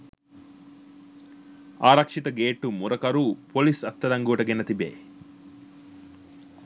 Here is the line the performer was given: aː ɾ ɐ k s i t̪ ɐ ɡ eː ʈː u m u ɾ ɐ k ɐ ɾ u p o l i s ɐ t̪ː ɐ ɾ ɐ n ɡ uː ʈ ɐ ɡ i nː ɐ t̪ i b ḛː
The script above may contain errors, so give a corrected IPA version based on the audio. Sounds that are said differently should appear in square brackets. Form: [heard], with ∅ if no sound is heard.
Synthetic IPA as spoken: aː ɾ ɐ k [ʂ] i t̪ ɐ ɡ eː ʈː u m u ɾ ɐ k ɐ ɾ u p o l i s ɐ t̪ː ɐ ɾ ɐ [ŋ] ɡ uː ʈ ɐ ɡ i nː ɐ t̪ i b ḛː

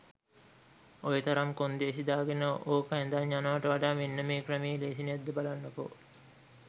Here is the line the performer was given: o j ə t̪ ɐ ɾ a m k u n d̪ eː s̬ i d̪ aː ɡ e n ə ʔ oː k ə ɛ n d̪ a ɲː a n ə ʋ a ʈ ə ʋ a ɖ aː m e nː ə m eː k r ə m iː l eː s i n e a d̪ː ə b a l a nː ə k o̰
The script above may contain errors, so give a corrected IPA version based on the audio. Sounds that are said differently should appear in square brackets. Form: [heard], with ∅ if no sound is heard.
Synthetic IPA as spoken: o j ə t̪ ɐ ɾ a m k [o] n d̪ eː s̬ i d̪ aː ɡ e n ə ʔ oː k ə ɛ n d̪ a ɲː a n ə ʋ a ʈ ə ʋ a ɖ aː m e nː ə m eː k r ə m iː l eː s i n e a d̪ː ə b a l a nː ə k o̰

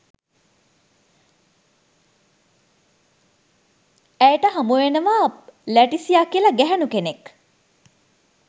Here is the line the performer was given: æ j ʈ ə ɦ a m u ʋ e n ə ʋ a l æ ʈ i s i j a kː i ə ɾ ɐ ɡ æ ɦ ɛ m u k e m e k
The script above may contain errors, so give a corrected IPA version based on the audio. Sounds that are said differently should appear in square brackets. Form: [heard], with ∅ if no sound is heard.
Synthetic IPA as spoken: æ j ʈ ə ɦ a m u ʋ e n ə ʋ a l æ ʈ i s i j a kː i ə [l] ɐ ɡ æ ɦ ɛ [n] u k e [n] e k

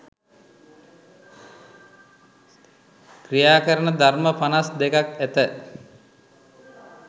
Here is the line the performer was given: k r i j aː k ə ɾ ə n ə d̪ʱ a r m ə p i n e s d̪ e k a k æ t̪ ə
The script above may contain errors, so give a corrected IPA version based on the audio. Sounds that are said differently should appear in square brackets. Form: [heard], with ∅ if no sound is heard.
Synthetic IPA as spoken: k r i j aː k ə ɾ ə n ə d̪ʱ a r m ə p [a] n [a] s d̪ e k a k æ t̪ ə

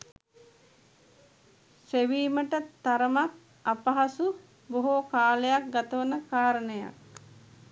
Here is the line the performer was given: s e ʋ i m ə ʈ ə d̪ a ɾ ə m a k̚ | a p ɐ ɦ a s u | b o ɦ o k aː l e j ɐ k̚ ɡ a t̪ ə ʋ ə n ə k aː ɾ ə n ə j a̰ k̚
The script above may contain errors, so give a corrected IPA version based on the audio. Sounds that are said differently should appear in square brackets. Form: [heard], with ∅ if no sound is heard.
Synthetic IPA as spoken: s e ʋ [iː] m ə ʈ ə [t̪] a ɾ ə m a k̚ | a p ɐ ɦ a s u | b o ɦ o k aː l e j [a] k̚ ɡ a t̪ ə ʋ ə n ə k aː ɾ ə n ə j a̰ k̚

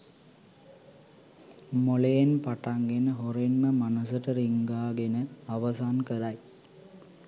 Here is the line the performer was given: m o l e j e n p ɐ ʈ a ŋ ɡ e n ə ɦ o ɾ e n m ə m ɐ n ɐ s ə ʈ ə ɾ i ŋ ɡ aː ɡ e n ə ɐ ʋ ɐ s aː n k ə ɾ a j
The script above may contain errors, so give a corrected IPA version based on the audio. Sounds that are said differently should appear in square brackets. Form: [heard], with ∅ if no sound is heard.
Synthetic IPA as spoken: m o l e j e n p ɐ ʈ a ŋ ɡ e n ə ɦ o ɾ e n m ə m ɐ n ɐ s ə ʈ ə ɾ i ŋ ɡ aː ɡ e n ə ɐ ʋ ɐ s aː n k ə ɾ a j

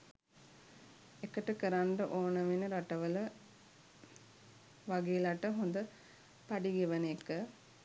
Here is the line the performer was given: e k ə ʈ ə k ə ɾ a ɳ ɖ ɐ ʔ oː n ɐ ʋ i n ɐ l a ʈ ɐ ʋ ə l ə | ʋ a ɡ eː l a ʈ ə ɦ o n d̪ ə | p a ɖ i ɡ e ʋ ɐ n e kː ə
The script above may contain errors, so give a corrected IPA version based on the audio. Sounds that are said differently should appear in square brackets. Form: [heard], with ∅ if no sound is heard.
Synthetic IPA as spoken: e k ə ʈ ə k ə ɾ a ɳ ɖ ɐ ʔ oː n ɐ ʋ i n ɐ [ɾ] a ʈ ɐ ʋ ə l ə | ʋ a ɡ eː l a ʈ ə ɦ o n d̪ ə | p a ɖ i ɡ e ʋ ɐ n e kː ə

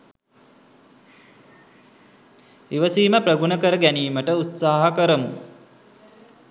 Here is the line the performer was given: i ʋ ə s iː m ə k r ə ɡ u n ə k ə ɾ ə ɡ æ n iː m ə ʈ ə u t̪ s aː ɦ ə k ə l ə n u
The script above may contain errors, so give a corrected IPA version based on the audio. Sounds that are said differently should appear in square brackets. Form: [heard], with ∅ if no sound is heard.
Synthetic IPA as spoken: i ʋ ə s iː m ə [p] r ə ɡ u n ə k ə ɾ ə ɡ æ n iː m ə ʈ ə u t̪ s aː ɦ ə k ə [ɾ] ə [m] u

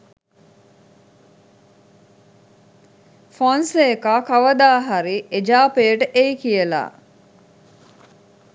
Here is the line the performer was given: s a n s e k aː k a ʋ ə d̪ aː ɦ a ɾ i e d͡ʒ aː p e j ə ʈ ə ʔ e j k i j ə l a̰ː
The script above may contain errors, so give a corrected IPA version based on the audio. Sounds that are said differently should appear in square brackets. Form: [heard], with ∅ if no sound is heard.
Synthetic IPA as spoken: [f] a n s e k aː k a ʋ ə d̪ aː ɦ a ɾ i e d͡ʒ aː p e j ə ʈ ə ʔ e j k i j ə l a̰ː

